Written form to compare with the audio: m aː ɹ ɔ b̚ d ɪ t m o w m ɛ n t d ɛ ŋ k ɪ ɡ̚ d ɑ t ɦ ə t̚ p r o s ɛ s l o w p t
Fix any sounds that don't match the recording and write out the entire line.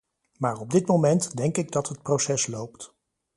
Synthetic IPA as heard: m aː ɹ ɔ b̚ d ɪ t m o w m ɛ n t d ɛ ŋ k ɪ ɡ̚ d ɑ t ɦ ə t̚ p r o s ɛ s l o w p t